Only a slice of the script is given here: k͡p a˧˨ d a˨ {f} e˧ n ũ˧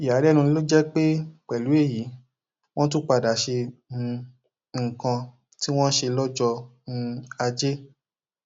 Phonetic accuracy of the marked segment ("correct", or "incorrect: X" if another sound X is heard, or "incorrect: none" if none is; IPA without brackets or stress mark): incorrect: ʃ